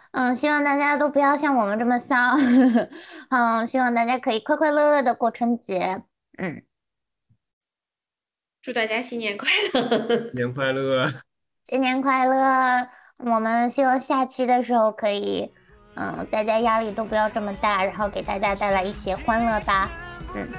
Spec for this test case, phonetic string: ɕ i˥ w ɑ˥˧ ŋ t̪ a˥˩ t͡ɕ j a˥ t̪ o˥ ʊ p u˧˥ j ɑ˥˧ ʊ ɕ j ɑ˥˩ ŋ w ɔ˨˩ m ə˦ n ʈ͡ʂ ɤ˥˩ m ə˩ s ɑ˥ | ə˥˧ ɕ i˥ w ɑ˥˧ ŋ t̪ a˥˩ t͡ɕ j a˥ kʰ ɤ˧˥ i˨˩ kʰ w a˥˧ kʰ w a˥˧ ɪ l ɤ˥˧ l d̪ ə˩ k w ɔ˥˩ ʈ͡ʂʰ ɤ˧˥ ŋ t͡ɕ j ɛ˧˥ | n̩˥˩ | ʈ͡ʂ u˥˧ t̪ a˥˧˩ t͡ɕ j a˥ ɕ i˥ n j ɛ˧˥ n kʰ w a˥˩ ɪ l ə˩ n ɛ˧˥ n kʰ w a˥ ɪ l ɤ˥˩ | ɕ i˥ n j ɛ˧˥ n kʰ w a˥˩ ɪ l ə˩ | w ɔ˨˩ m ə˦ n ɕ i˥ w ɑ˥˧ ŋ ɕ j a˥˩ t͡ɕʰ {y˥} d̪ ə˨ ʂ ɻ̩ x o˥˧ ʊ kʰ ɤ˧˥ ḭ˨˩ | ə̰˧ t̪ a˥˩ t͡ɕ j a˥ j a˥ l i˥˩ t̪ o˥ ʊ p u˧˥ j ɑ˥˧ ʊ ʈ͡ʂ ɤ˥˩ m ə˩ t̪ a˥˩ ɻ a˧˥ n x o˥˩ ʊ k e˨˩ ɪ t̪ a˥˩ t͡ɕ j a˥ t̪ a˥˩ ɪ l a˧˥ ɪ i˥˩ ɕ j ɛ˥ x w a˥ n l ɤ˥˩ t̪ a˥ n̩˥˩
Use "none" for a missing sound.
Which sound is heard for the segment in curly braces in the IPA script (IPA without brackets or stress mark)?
i˥